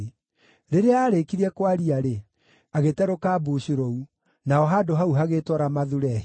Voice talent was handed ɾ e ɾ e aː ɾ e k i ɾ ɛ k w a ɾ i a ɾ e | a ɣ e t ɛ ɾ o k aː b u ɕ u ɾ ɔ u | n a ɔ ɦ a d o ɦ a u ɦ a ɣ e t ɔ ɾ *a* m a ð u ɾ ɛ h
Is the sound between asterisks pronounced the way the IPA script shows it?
yes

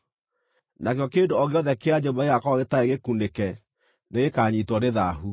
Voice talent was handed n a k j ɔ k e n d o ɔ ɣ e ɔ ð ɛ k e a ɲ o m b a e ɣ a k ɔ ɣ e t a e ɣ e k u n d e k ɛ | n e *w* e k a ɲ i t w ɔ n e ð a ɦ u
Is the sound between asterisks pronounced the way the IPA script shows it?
no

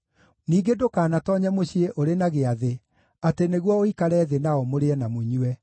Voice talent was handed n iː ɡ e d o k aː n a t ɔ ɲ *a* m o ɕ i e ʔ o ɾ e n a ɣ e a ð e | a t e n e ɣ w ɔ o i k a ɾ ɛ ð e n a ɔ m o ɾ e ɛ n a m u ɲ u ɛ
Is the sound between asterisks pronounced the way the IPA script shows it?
no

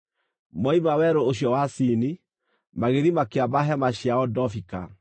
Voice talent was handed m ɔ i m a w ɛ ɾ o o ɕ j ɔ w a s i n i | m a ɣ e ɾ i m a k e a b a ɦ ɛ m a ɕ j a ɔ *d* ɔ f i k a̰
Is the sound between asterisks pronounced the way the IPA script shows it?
yes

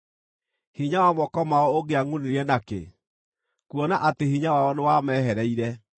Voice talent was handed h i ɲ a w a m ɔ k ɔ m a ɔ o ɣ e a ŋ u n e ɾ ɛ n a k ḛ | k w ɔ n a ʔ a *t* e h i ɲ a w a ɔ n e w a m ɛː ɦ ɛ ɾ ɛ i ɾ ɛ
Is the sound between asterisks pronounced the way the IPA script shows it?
yes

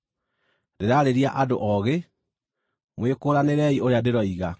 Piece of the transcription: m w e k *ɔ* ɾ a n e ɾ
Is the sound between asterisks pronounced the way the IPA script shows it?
no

